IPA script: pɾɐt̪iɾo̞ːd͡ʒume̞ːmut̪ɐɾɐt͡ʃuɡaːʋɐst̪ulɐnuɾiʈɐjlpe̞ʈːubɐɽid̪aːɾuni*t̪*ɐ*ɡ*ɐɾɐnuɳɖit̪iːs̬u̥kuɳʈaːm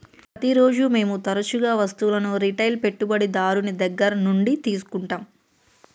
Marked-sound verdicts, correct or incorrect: incorrect: d̪, incorrect: ɡː

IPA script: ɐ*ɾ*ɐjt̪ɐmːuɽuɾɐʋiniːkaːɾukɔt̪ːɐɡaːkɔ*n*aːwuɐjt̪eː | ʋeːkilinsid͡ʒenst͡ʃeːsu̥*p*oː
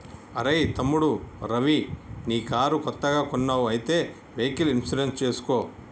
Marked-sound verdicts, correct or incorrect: correct, incorrect: nː, incorrect: k

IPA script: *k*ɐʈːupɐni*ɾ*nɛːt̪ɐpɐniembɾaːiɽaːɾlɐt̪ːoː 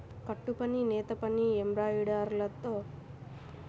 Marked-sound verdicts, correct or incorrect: correct, incorrect: none

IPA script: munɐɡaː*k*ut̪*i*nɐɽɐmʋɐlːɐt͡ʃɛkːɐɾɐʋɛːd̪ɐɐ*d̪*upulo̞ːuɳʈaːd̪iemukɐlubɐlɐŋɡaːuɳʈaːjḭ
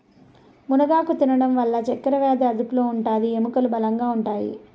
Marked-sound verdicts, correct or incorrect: correct, correct, correct

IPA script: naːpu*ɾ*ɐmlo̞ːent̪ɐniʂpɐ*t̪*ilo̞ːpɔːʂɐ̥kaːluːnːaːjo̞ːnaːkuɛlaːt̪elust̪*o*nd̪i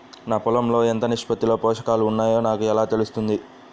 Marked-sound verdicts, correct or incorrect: incorrect: l, correct, incorrect: u

